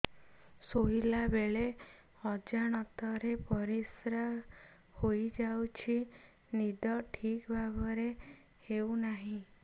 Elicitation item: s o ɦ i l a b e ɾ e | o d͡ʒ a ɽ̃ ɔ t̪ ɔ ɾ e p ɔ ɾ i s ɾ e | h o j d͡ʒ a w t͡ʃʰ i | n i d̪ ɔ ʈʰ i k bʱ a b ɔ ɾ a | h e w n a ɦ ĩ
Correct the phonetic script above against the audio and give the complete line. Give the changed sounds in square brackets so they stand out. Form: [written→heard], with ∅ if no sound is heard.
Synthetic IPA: s o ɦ i l a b e [ɾ→ɭ] e | [o→ɔ] d͡ʒ a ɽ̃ ɔ t̪ ɔ ɾ e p ɔ ɾ i s ɾ [e→a] | h o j d͡ʒ a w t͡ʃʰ i | n i d̪ ɔ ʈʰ i k bʱ a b ɔ ɾ [a→e] | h e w n a ɦ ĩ